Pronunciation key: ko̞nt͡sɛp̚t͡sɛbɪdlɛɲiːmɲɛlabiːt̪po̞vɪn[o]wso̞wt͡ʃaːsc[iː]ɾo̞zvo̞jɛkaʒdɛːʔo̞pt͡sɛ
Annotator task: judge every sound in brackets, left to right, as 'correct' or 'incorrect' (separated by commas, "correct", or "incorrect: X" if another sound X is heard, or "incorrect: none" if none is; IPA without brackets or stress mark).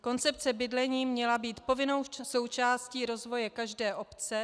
correct, correct